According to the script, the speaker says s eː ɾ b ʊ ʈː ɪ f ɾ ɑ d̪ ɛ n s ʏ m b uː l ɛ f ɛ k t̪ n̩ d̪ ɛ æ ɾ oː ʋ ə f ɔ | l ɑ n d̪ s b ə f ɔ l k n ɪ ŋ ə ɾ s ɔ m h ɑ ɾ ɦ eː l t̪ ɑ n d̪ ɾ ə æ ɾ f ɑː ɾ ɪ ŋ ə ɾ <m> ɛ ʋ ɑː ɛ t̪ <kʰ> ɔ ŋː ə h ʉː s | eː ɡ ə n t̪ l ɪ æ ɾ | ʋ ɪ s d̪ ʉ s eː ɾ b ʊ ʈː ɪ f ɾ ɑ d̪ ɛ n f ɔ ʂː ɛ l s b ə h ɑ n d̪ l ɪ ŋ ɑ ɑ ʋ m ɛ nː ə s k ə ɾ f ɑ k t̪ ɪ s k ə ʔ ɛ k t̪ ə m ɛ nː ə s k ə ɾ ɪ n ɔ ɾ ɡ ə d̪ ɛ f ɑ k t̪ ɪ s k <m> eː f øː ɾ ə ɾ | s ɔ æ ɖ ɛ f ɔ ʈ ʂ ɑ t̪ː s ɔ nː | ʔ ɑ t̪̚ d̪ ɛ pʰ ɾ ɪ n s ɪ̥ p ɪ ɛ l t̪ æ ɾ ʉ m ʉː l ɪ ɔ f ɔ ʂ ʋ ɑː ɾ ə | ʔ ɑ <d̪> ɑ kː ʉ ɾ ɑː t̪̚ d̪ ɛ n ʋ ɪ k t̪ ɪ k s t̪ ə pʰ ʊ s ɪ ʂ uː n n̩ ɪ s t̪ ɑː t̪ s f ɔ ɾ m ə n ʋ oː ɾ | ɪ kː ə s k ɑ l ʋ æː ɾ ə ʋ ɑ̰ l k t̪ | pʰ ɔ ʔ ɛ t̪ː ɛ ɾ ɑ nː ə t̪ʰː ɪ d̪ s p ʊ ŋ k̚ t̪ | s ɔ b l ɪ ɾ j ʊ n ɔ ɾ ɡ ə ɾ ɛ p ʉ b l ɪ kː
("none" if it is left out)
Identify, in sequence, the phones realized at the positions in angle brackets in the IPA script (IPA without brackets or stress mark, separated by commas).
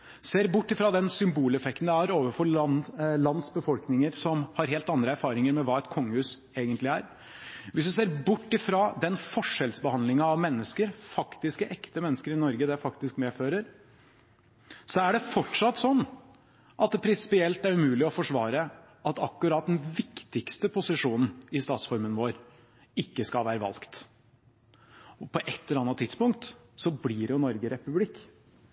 m, kʰ, m, t̪